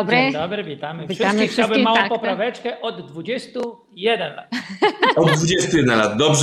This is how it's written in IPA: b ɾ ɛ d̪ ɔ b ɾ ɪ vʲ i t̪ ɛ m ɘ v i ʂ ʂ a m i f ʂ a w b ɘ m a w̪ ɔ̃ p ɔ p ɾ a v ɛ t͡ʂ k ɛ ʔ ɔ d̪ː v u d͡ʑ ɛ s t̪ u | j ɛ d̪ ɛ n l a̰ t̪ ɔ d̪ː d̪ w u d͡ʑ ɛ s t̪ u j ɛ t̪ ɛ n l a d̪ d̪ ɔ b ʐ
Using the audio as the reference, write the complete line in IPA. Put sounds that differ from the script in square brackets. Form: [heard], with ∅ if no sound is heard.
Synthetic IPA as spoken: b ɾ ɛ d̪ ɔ b ɾ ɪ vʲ i t̪ [a] m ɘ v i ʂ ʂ a m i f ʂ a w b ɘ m a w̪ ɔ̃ p ɔ p ɾ a v ɛ t͡ʂ k ɛ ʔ ɔ d̪ː v u d͡ʑ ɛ s t̪ u | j ɛ d̪ ɛ n l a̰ t̪ ɔ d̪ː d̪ [v] u d͡ʑ ɛ s t̪ u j ɛ [d̪] ɛ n l a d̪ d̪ ɔ b ʐ